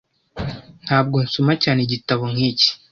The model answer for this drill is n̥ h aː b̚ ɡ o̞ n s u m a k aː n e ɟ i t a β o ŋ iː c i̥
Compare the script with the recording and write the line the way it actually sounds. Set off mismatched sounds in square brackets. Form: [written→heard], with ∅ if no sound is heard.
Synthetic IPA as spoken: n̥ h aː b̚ ɡ o̞ n s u m a [k→c] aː n e ɟ i t a β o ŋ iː c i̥